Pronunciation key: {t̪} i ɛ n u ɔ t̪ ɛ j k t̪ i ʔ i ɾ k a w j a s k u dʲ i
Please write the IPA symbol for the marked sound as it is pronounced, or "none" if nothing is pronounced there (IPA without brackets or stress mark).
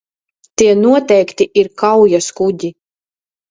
t̪